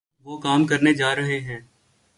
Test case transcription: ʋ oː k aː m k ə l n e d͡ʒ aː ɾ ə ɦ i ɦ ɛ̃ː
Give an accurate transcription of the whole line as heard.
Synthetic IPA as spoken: ʋ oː k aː m k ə ɾ n e d͡ʒ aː ɾ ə ɦ e ɦ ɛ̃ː